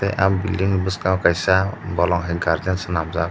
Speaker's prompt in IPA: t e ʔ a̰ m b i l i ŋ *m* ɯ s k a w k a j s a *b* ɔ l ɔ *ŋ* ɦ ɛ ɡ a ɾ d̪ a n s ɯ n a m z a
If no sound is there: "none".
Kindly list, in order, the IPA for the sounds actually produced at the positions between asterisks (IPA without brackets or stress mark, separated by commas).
b, b, ŋ